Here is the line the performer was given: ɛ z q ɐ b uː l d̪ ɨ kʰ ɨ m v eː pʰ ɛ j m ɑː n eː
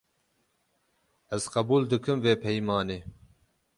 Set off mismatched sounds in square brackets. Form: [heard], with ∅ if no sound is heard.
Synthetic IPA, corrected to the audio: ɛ z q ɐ b uː l d̪ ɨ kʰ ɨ m v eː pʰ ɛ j m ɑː n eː